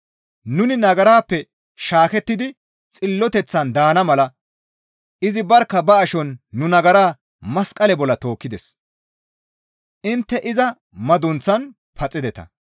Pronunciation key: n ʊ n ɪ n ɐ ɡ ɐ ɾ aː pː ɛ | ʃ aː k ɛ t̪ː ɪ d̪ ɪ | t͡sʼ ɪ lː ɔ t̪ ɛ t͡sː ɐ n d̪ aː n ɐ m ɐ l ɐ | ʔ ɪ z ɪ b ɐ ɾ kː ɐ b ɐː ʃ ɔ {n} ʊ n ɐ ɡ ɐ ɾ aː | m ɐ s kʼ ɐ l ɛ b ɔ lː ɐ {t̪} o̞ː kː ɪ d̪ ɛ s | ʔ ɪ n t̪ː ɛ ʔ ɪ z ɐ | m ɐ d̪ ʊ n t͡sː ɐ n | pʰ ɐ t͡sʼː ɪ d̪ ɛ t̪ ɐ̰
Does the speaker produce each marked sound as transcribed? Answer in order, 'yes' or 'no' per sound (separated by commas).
no, yes